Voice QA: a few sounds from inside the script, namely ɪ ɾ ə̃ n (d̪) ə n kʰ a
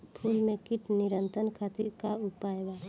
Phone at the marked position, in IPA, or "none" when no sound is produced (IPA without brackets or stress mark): t̪